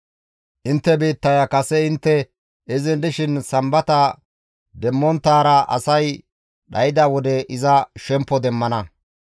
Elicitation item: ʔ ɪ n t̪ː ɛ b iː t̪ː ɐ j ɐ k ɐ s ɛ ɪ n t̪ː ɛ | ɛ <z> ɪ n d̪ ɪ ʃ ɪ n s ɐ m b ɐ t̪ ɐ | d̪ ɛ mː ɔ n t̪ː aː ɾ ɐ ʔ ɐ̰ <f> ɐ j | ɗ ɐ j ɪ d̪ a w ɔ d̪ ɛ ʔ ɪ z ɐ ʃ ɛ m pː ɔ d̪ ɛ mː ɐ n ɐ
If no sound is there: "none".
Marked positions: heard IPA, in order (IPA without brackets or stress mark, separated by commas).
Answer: z, s